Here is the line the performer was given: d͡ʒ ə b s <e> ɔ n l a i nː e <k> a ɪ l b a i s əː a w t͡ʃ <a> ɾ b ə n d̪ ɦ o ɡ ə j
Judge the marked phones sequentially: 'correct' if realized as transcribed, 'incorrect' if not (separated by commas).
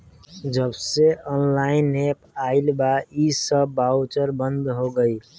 correct, incorrect, incorrect